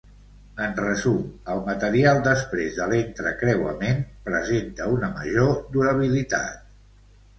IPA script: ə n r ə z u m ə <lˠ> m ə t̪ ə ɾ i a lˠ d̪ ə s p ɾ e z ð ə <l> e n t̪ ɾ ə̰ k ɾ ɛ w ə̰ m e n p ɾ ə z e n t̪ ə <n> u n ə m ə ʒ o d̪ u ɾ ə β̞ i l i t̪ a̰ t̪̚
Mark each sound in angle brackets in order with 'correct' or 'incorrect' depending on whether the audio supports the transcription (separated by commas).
correct, correct, incorrect